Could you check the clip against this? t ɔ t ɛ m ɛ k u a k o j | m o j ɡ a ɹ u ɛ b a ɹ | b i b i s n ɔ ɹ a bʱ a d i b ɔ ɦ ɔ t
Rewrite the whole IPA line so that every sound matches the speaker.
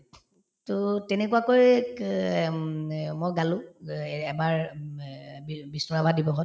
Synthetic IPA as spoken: t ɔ t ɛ n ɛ k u a k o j | m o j ɡ a l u ɛ b a ɹ | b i b i s n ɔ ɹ a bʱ a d i b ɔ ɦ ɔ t